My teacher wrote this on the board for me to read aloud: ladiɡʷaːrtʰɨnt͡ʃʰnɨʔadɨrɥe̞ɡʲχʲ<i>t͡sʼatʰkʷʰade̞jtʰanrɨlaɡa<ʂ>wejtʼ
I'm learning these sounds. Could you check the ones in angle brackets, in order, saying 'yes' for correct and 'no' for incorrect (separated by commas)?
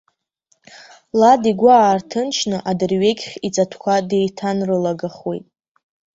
yes, no